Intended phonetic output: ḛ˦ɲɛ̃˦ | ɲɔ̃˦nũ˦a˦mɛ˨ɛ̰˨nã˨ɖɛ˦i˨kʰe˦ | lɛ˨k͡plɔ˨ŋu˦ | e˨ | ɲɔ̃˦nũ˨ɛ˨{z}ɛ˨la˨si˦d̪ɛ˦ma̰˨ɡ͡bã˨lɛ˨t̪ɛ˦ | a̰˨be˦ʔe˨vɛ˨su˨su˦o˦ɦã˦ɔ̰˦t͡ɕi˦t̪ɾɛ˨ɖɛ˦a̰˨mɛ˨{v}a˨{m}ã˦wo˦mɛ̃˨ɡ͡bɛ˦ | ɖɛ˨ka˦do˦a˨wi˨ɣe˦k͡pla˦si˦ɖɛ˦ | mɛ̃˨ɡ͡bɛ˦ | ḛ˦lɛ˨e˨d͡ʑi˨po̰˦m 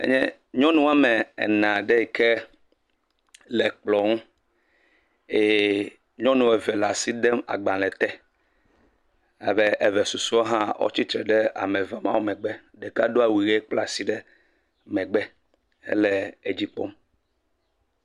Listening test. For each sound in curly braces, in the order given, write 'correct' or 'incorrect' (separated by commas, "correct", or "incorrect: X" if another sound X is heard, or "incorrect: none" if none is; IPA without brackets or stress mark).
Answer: incorrect: v, correct, correct